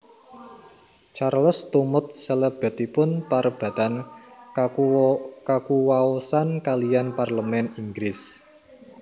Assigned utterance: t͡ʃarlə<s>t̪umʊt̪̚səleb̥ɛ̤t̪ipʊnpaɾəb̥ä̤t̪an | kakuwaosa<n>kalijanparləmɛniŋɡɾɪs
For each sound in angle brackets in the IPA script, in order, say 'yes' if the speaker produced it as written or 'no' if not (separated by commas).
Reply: yes, yes